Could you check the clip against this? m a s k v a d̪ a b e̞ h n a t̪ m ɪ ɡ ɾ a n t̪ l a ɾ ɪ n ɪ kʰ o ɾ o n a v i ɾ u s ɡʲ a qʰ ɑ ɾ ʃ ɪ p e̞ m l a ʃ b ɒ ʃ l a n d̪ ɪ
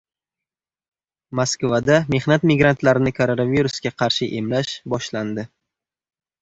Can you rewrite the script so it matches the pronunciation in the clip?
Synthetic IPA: m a s k v a d̪ a m e̞ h n a t̪ m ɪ ɡ ɾ a n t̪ l a ɾ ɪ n ɪ kʰ o ɾ o n a v i ɾ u s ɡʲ a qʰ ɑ ɾ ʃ ɪ ʔ e̞ m l a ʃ b ɒ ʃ l a n d̪ ɪ

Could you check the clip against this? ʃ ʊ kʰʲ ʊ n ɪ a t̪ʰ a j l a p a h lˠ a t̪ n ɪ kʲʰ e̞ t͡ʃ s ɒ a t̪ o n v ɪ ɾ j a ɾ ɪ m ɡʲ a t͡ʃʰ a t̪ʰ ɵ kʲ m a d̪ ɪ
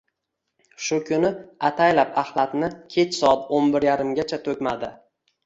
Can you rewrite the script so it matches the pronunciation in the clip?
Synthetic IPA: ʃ ʊ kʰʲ ʊ n ɪ a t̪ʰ a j l a p a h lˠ a t̪ n ɪ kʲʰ e̞ t͡ʃ s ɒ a t̪ o n b ɪ ɾ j a ɾ ɪ m ɡʲ a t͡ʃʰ a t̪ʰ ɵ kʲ m a d̪ ɪ

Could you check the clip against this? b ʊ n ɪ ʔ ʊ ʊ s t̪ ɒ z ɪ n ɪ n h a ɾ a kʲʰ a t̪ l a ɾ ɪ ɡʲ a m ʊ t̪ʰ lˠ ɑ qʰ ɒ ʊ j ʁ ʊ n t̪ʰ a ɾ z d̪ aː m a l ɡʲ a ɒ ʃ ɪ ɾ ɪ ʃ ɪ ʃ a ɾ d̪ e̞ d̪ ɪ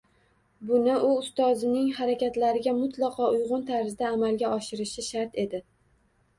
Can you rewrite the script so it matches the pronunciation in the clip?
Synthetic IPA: b ʊ n ɪ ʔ ʊ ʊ s t̪ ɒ z ɪ n ɪ ŋ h a ɾ a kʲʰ a t̪ l a ɾ ɪ ɡʲ a m ʊ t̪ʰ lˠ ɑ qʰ ɒ ʊ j ʁ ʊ n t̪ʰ a ɾ z d̪ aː m a l ɡʲ a ɒ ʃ ɪ ɾ ɪ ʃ ɪ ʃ a ɾ t̪ e̞ d̪ ɪ

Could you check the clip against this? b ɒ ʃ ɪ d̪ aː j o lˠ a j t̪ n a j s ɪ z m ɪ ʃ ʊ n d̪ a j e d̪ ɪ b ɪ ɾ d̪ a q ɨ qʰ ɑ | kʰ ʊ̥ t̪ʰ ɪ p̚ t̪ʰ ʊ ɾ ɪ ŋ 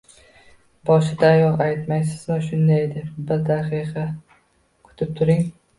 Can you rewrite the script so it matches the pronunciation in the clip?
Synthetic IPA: b ɒ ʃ ɪ d̪ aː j ɒ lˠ a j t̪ m a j s ɪ z m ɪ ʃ ʊ n d̪ a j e d̪ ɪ b ɪ ɾ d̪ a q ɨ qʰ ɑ | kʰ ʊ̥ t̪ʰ ɪ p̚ t̪ʰ ʊ ɾ ɪ ŋ

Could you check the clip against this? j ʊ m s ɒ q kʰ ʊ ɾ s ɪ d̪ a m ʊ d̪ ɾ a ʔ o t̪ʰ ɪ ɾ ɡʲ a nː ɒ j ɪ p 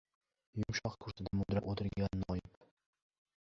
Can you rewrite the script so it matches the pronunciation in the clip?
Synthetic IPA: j ʊ m ʃ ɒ q kʰ ʊ ɾ s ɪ d̪ a m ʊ d̪ ɾ a ʔ o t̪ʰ ɪ ɾ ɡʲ a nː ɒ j ɪ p

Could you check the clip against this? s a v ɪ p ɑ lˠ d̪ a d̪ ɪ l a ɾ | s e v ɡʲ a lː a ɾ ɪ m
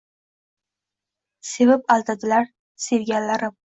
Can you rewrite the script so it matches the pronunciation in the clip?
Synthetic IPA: s e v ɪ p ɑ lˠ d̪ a d̪ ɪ l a ɾ | s e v ɡʲ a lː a ɾ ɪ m

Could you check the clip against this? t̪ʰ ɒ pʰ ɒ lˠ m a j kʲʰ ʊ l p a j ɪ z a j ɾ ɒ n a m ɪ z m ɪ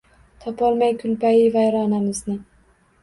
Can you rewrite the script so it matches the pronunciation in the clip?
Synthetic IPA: t̪ʰ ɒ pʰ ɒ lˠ m a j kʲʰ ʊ l p a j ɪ v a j ɾ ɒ n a m ɪ z n ɪ

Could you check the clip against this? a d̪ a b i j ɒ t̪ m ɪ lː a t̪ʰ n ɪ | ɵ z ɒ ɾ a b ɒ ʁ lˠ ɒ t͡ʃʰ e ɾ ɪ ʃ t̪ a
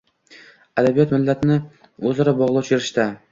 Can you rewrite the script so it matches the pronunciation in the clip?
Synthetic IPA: a d̪ a b i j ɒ t̪ m ɪ lː a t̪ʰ n ɪ | ɵ z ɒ ɾ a b ɒ ʁ lˠ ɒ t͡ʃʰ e ɾ ɪ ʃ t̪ a

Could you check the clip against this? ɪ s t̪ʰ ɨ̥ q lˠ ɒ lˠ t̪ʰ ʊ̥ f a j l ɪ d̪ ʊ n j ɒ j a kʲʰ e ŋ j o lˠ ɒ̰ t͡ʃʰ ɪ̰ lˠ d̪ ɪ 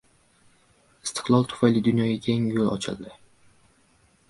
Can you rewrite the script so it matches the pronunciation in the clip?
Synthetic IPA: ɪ s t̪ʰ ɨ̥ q lˠ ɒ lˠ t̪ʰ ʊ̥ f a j l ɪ d̪ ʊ n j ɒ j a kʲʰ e ŋ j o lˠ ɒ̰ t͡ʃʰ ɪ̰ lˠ d̪ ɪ

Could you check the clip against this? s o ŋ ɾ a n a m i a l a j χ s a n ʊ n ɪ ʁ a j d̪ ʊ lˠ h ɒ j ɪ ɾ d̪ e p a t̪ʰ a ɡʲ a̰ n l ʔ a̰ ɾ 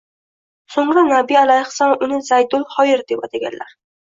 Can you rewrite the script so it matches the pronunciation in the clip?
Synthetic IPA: s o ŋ ɾ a n a b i a l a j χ s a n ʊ n ɪ z a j d̪ ʊ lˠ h ɒ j ɪ ɾ d̪ e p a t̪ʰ a ɡʲ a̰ n l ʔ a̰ ɾ

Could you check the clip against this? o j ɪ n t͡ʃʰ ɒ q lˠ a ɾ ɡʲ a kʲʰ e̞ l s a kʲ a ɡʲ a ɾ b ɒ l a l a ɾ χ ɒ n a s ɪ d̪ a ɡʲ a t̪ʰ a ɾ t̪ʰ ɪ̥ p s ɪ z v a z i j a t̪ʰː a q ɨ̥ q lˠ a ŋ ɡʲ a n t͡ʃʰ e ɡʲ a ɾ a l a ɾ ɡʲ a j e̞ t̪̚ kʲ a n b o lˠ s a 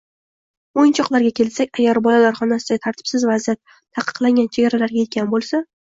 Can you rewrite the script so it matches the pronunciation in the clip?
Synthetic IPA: o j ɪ n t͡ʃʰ ɒ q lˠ a ɾ ɡʲ a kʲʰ e̞ l s a kʲ a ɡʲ a ɾ b ɒ l a l a ɾ χ ɒ n a s ɪ d̪ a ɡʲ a t̪ʰ a ɾ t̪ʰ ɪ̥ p s ɪ z v a z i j a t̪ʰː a q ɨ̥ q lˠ a ŋ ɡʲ a n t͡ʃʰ e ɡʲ a ɾ a l a ɾ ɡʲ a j e̞ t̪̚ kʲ a n b o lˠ s a

